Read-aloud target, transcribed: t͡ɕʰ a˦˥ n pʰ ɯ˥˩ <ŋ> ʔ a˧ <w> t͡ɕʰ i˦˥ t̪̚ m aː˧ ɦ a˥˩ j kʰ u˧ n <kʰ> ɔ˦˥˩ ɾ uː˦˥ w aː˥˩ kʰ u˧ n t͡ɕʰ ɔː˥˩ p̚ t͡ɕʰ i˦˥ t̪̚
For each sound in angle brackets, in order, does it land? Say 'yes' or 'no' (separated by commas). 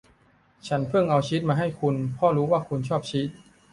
yes, yes, no